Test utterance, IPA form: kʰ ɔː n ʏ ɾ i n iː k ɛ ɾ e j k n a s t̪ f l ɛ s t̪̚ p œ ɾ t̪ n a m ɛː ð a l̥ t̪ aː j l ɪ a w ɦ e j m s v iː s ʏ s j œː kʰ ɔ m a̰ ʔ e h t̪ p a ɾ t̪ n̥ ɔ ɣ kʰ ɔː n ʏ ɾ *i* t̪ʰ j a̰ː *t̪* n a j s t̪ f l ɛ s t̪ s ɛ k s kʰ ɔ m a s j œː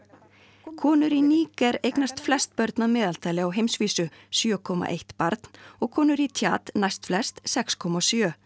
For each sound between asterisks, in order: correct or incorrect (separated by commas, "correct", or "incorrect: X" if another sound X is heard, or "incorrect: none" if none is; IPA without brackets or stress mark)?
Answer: correct, correct